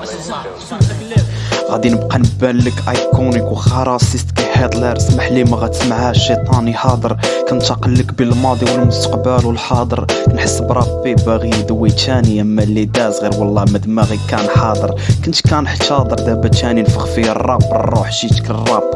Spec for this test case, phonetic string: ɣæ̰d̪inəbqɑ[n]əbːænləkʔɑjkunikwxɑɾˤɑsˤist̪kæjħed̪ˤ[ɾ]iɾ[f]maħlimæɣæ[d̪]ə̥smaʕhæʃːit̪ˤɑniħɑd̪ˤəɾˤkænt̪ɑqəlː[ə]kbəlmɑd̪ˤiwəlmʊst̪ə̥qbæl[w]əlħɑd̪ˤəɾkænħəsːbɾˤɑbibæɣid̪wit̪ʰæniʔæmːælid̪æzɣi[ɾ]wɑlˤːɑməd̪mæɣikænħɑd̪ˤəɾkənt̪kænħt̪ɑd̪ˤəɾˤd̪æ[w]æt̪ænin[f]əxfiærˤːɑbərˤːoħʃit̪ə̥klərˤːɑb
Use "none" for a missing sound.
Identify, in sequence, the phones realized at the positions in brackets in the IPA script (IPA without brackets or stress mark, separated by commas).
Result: n, l, s, t̪, ə, w, ɾ, b, f